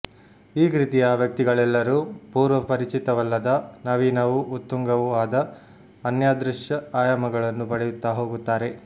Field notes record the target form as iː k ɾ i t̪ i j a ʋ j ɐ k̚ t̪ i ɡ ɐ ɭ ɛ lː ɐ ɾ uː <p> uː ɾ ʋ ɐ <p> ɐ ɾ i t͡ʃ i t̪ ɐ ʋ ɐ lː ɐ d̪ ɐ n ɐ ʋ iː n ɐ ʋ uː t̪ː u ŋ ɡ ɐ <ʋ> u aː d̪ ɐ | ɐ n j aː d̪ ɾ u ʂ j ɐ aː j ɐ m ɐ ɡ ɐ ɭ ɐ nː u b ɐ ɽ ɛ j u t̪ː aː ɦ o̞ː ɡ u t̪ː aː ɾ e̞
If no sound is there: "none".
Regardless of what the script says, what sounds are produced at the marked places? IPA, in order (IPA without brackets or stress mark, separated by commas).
p, p, ʋ